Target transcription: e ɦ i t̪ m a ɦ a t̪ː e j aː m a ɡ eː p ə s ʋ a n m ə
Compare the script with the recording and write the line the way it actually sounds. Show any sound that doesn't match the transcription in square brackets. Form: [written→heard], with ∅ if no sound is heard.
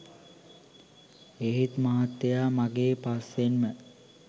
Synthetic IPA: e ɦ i t̪ m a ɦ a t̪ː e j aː m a ɡ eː p [ə→a] s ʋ [a→e] n m ə